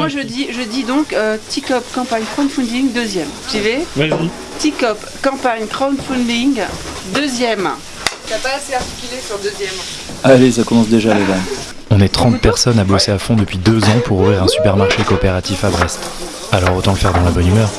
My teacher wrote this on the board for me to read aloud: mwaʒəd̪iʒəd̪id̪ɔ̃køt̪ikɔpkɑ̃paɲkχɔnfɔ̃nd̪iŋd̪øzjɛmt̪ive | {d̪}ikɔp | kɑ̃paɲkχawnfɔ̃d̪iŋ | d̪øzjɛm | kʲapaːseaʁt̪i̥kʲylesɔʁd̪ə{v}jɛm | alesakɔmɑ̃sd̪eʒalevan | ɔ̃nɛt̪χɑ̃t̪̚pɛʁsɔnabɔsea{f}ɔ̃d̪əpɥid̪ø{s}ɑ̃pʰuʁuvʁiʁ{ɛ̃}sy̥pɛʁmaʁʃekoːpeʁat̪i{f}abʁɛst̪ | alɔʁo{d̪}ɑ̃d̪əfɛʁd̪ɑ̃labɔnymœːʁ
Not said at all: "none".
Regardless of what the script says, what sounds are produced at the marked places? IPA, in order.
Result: t̪, z, f, z, ɛ̃, f, t̪

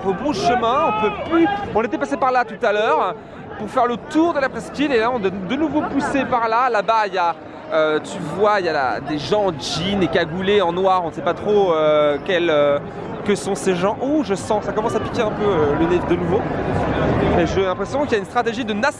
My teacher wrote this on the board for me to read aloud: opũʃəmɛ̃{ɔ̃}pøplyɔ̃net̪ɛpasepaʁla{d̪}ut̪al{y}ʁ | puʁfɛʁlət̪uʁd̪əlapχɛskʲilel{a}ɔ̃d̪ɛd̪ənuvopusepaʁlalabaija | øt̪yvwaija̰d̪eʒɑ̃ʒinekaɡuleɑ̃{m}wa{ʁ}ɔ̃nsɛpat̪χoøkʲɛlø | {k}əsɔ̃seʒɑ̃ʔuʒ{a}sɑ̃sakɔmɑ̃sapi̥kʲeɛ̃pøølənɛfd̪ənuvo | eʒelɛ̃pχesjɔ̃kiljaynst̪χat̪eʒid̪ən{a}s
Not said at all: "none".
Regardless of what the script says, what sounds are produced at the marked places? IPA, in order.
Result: ɔ̃, t̪, œ, a, n, ʁ, k, ə, a

